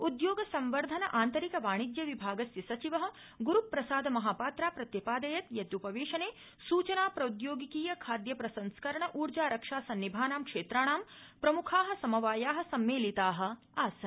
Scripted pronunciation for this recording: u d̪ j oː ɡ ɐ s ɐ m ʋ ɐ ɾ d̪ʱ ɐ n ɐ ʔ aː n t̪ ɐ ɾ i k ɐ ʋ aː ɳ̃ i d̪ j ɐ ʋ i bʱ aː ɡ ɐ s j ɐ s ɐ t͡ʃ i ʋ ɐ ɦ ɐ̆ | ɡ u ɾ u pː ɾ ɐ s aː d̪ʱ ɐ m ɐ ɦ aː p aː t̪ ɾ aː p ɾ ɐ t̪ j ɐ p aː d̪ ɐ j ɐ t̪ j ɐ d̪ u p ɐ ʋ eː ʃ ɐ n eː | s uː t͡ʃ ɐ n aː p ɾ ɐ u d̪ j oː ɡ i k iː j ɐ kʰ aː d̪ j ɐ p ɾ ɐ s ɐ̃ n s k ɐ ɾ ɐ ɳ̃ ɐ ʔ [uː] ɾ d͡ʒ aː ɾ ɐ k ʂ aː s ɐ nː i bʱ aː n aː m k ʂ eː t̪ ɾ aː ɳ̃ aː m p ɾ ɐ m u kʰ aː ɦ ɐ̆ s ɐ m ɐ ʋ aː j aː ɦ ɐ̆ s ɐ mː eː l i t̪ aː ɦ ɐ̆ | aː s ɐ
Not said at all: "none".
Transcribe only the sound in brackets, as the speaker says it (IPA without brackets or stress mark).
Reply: uː